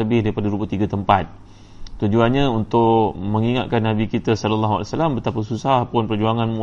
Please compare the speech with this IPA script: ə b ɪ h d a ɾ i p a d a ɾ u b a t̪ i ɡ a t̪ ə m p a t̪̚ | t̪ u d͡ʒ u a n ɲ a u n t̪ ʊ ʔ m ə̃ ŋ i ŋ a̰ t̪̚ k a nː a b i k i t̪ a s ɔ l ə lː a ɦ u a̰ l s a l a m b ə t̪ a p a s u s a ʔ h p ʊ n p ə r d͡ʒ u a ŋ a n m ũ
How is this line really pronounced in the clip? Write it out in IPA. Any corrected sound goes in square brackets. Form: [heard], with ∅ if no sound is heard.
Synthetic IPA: ə b ɪ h d a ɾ i p a d a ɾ u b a t̪ i ɡ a t̪ ə m p a t̪̚ | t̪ u d͡ʒ u a n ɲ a u n t̪ ʊ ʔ m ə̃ ŋ i ŋ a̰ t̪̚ k a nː a b i k i t̪ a s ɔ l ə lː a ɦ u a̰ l s a l a m b ə t̪ a p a s u s a [∅] h p ʊ n p ə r d͡ʒ u a ŋ a n m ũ